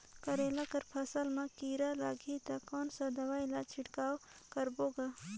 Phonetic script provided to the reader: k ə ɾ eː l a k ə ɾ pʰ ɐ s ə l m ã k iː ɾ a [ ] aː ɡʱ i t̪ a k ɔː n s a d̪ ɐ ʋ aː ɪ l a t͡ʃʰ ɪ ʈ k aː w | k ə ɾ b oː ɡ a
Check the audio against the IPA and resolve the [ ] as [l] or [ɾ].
l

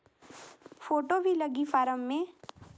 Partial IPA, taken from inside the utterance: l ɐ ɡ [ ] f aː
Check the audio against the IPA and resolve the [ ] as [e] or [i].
i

